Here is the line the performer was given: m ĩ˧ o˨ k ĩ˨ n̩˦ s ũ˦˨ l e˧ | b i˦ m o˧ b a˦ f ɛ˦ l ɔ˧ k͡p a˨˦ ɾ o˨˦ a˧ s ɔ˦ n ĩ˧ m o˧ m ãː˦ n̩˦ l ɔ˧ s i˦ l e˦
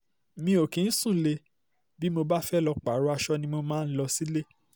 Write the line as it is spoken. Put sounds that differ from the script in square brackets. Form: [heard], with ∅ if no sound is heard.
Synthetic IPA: m ĩ˧ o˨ k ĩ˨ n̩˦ s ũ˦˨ l e˧ | b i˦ m o˧ b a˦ f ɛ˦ l ɔ˧ k͡p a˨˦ ɾ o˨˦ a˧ [ʃ] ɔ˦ n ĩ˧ m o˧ m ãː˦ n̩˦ l ɔ˧ s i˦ l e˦